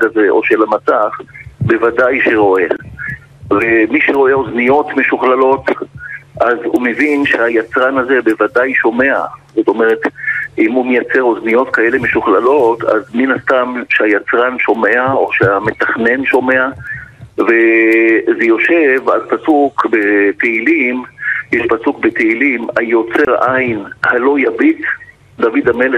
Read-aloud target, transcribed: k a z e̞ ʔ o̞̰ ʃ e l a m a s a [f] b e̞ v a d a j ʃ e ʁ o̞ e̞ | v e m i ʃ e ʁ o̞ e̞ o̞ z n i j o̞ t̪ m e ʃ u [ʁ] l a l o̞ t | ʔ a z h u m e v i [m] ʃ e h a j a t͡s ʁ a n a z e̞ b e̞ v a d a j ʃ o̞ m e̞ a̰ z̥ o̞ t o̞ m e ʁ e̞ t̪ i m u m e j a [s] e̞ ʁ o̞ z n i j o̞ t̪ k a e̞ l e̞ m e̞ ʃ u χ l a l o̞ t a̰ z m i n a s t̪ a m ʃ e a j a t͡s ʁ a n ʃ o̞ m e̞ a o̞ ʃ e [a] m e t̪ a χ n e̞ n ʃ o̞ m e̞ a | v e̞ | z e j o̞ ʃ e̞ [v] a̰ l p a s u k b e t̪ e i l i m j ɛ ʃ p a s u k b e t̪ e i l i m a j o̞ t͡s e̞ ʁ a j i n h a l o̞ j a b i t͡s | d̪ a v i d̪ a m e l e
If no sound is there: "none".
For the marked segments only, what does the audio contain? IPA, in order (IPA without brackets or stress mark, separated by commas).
χ, χ, n, t͡s, a, v